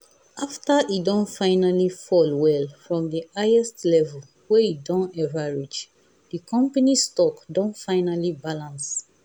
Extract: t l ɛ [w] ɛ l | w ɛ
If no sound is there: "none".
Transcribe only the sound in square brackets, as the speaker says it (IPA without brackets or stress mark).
v